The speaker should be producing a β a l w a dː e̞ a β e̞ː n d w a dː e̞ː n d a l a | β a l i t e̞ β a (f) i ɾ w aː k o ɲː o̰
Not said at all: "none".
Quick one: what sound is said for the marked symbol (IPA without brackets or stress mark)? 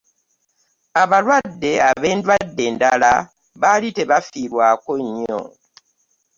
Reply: f